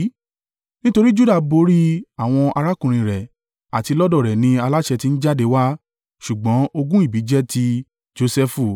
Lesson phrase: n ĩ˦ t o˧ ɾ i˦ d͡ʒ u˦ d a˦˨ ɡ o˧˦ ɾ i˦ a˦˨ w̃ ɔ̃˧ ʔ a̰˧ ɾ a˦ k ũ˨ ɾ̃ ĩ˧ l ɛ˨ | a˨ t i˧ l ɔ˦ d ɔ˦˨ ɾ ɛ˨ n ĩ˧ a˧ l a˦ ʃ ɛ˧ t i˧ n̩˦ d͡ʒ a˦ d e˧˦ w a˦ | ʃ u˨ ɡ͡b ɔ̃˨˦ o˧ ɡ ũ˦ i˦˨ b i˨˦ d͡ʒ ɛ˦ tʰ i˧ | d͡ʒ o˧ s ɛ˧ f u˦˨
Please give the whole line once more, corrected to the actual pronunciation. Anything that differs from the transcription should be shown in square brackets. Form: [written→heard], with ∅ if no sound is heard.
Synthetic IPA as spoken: n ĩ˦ t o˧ ɾ i˦ d͡ʒ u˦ d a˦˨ [ɡ→b] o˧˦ ɾ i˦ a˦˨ w̃ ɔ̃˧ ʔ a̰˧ ɾ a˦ k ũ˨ ɾ̃ ĩ˧ [l→ɾ] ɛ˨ | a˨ t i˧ l ɔ˦ d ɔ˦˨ ɾ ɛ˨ n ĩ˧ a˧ l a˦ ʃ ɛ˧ t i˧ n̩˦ d͡ʒ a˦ d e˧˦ w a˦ | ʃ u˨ ɡ͡b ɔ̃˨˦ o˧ ɡ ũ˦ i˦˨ b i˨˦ d͡ʒ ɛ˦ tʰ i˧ | d͡ʒ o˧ s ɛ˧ f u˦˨